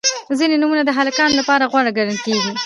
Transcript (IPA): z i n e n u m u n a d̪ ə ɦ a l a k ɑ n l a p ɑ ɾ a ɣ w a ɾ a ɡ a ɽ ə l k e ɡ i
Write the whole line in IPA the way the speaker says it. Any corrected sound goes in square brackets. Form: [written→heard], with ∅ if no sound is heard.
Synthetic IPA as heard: z i n e n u m u n a d̪ ə ɦ a l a k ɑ n l a p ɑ ɾ a ɣ w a [ɾ→ɽ] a ɡ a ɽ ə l k e ɡ i

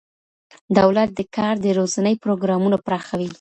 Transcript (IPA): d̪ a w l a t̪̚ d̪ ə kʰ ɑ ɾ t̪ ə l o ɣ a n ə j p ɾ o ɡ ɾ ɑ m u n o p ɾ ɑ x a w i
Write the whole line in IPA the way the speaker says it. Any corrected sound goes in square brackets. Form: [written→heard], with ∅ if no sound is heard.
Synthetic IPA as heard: d̪ a w l a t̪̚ d̪ ə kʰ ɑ ɾ [t̪→d̪] ə [l→ɾ] o [ɣ→z] a n ə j p ɾ o ɡ ɾ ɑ m u n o p ɾ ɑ x a w i

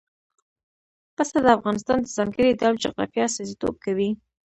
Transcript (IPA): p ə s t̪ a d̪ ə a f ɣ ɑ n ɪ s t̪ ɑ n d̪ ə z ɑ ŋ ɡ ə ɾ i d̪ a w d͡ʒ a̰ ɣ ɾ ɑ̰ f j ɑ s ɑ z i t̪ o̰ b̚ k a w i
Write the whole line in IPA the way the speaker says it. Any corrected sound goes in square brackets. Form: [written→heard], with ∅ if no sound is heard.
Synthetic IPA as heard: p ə s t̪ a d̪ ə a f ɣ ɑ n ɪ s t̪ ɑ n d̪ ə z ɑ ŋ ɡ ə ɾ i d̪ a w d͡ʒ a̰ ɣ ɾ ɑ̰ f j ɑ s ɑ z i t̪ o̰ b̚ k a w i

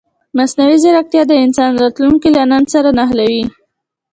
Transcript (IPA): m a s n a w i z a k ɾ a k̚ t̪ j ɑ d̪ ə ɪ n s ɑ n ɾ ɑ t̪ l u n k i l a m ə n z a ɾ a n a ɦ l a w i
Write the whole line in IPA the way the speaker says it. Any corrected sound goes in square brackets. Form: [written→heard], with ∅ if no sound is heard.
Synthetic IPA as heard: m a s n a w i z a [k→∅] ɾ a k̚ t̪ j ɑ d̪ ə ɪ n s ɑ n ɾ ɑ t̪ l u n k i l a [m→n] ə n [z→s] a ɾ a n a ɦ l a w i

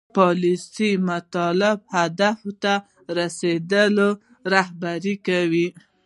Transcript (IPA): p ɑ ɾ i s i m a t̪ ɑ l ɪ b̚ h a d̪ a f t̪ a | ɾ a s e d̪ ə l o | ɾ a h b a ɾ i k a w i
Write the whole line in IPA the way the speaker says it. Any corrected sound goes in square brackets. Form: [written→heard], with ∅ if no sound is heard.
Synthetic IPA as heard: p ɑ [ɾ→l] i s i m a t̪ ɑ l ɪ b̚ h a d̪ a f t̪ a | ɾ a s e d̪ ə l o | ɾ a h b a ɾ i k a w i

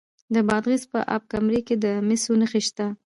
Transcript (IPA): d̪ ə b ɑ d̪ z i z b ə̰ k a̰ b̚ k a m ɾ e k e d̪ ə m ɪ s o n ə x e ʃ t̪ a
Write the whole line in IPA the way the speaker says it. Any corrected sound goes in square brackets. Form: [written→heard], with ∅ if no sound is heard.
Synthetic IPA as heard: d̪ ə b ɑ d̪ [z→ɣ] i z [b→p] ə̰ [k→ʔ] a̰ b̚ k a m ɾ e k e d̪ ə m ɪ s o n ə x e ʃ t̪ a

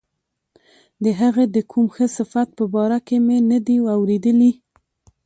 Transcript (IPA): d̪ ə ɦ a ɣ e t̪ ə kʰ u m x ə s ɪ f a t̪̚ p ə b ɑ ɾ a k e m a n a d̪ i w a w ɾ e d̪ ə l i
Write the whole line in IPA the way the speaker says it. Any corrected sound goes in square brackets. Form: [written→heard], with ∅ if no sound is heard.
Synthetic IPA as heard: d̪ ə ɦ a ɣ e [t̪→d̪] ə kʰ u m x ə s ɪ f a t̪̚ p ə b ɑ ɾ a k e m [a→e] n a d̪ i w a w ɾ e d̪ ə l i

